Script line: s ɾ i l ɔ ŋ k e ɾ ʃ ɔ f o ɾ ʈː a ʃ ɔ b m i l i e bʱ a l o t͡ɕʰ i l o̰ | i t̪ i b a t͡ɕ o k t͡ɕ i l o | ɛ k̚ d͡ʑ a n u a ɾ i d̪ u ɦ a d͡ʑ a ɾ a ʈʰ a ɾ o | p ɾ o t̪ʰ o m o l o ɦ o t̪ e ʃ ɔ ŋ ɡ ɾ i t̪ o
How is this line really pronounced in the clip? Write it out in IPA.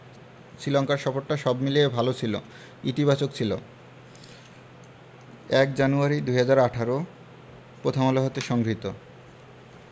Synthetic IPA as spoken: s ɾ i l ɔ ŋ k a ɾ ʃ ɔ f o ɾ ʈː a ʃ ɔ b m i l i e bʱ a l o t͡ɕʰ i l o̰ | i t̪ i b a t͡ɕ o k t͡ɕʰ i l o | ɛ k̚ d͡ʑ a n u a ɾ i d̪ u ɦ a d͡ʑ a ɾ a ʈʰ a ɾ o | p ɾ o t̪ʰ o m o l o ɦ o t̪ e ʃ ɔ ŋ ɡ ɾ i t̪ o